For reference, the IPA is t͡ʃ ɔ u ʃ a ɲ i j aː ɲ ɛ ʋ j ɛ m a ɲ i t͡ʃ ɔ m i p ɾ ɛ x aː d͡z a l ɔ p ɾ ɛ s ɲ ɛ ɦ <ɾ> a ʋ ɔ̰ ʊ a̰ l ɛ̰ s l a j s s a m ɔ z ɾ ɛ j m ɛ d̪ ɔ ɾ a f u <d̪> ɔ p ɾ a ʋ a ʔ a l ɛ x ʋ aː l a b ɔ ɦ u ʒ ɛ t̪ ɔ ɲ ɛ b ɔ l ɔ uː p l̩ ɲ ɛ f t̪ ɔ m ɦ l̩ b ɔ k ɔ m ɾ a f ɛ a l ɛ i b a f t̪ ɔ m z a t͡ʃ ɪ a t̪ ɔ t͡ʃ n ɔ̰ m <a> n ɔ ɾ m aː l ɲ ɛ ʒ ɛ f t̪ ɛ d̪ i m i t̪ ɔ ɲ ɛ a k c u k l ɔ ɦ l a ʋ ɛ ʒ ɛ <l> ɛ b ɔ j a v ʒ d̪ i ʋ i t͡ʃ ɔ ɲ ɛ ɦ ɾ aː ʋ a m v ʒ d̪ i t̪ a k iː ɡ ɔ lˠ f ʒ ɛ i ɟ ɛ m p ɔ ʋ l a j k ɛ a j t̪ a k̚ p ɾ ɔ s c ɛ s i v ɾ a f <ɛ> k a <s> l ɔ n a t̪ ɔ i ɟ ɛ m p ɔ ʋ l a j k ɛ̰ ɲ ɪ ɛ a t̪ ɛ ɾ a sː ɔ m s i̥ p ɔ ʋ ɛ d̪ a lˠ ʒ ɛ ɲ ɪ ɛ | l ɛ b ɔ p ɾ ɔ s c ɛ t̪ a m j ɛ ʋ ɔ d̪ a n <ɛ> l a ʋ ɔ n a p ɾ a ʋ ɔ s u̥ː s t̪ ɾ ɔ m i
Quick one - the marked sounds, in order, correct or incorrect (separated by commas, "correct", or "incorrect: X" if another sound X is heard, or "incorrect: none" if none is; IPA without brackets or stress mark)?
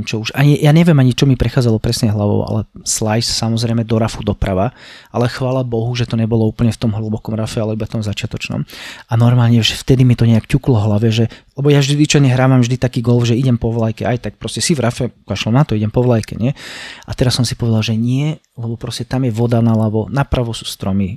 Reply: incorrect: l, correct, correct, correct, correct, incorrect: ʃ, incorrect: a